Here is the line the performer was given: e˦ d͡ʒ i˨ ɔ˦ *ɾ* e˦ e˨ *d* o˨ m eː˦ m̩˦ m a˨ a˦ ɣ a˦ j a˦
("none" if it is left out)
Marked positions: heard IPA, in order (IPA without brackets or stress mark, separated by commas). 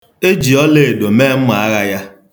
l, d